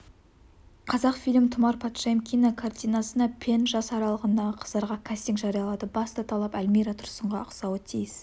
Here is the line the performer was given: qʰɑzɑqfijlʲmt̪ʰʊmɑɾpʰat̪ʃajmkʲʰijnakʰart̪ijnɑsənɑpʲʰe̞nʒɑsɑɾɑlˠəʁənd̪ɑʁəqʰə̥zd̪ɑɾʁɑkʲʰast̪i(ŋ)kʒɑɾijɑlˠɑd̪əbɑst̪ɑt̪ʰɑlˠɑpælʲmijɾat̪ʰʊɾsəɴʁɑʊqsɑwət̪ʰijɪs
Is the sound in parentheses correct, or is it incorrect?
correct